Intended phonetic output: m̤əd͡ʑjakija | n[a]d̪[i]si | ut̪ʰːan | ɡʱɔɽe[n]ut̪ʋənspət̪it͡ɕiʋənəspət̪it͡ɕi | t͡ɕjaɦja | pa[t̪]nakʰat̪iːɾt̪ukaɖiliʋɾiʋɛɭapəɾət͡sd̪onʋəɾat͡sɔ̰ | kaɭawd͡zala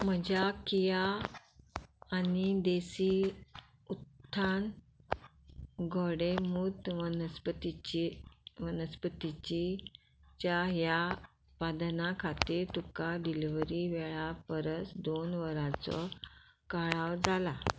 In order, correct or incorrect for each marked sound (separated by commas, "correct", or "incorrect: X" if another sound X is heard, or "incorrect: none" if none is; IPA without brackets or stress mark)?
incorrect: i, incorrect: e, incorrect: m, incorrect: d̪